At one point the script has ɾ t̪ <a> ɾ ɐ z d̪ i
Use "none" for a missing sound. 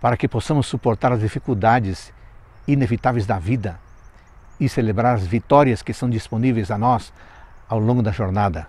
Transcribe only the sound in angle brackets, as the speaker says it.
a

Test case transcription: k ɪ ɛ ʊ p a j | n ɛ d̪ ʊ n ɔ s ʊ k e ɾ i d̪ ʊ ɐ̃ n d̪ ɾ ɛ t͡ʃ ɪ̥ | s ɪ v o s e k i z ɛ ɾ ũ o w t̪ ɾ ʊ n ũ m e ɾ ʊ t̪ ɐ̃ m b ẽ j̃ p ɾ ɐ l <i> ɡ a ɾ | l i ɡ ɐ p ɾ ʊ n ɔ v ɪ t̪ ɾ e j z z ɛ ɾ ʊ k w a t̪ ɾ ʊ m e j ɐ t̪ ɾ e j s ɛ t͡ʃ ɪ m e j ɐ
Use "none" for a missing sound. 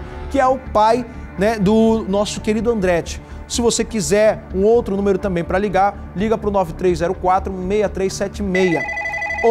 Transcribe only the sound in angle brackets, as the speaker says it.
i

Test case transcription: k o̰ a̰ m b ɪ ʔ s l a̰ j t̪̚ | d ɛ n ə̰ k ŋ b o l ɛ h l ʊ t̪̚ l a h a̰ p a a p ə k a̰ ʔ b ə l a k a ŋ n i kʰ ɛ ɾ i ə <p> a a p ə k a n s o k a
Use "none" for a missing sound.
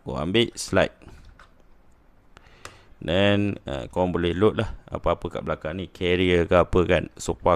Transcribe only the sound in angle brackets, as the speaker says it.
k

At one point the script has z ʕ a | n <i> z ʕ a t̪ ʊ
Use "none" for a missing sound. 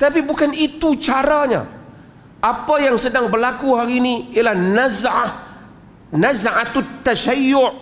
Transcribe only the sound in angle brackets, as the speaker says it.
a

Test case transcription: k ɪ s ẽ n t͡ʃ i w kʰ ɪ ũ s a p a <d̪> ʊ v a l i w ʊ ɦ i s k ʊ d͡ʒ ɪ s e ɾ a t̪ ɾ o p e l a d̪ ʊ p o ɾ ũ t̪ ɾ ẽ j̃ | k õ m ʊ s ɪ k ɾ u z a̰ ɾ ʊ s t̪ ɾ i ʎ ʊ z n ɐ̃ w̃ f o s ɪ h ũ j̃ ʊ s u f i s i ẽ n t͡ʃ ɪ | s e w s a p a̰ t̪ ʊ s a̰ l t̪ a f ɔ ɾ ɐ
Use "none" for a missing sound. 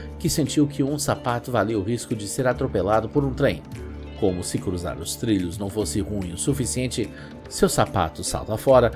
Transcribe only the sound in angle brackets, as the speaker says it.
t̪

